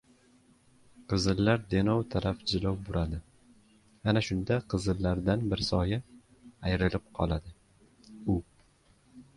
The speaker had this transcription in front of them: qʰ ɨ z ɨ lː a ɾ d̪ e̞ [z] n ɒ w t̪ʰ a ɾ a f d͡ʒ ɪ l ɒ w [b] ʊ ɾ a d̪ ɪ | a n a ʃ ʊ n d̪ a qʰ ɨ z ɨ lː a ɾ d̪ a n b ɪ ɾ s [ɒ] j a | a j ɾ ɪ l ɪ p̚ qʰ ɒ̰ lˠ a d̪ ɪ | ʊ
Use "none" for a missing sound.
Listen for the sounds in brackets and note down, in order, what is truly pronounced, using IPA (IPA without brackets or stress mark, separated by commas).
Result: none, b, ɒ